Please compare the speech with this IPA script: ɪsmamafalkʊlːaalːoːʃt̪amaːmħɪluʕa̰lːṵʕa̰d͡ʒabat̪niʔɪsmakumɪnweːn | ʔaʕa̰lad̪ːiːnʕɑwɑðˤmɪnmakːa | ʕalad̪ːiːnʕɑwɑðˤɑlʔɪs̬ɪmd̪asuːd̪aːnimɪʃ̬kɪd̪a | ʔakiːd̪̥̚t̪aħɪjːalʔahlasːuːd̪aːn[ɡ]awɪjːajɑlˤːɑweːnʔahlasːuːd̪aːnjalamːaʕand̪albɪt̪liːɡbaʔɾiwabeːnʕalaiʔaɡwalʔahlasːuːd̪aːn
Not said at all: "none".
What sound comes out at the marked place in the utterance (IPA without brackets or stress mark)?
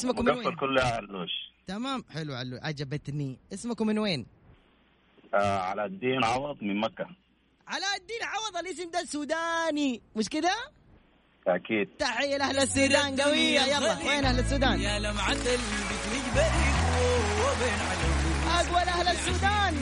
ɡ